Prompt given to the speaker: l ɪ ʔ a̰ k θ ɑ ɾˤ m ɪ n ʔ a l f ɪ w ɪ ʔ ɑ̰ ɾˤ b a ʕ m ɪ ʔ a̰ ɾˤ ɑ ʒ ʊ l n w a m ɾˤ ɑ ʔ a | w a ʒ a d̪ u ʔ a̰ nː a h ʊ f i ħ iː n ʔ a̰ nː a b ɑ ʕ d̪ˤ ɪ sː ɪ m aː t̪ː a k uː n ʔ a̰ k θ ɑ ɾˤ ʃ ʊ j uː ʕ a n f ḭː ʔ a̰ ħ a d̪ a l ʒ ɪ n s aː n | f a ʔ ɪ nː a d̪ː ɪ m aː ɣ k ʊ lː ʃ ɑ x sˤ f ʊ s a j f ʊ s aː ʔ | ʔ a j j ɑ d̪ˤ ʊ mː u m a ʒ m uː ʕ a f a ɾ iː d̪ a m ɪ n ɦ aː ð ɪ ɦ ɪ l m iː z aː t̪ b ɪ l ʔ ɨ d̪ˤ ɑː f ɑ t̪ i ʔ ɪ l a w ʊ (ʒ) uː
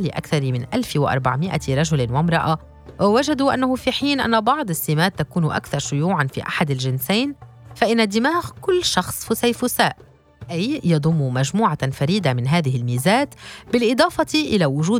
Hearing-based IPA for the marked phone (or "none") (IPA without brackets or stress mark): ʒ